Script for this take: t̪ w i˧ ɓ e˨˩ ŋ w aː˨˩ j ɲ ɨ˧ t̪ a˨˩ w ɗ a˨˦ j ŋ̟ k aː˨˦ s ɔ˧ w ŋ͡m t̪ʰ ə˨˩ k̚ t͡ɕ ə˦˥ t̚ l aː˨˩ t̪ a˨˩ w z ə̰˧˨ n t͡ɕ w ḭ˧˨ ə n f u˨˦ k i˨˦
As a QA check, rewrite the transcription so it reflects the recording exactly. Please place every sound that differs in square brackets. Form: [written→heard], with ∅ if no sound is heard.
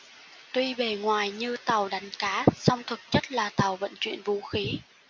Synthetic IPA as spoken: t̪ w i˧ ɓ e˨˩ ŋ w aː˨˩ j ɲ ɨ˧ t̪ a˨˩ w ɗ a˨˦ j ŋ̟ k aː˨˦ s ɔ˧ w ŋ͡m t̪ʰ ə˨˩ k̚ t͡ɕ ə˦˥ t̚ l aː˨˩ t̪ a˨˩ w [z→v] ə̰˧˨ n t͡ɕ w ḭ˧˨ ə n [f→v] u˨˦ [k→x] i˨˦